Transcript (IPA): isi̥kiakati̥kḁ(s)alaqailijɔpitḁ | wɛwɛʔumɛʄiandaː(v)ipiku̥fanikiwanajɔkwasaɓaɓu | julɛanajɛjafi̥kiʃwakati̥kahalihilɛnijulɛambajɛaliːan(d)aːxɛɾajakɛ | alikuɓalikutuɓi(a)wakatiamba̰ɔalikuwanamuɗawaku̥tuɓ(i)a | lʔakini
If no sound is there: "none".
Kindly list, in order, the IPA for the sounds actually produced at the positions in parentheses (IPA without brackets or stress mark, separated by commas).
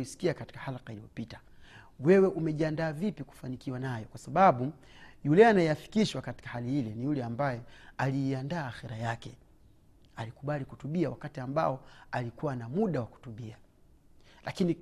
h, v, d, a, i